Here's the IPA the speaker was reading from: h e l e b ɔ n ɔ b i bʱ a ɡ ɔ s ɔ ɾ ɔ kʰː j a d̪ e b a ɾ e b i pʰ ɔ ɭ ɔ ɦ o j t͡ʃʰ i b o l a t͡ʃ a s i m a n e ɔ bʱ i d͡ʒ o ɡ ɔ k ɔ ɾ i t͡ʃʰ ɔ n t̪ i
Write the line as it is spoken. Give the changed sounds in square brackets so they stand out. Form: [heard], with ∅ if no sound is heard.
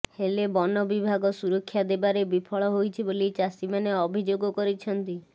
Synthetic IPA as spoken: h e l e b ɔ n ɔ b i bʱ a ɡ ɔ s [u] ɾ ɔ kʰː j a d̪ e b a ɾ e b i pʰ ɔ ɭ ɔ ɦ o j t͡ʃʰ i b o l [i] t͡ʃ a s i m a n e ɔ bʱ i d͡ʒ o ɡ ɔ k ɔ ɾ i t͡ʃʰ ɔ n t̪ i